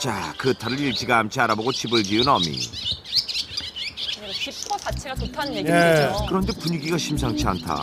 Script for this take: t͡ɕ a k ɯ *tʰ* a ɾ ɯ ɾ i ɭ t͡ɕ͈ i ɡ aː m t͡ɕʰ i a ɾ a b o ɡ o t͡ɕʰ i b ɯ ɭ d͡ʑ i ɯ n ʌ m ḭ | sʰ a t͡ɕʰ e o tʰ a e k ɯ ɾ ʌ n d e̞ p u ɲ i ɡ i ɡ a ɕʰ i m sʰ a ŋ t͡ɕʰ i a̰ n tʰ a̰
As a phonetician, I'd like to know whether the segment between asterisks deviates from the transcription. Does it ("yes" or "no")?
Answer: no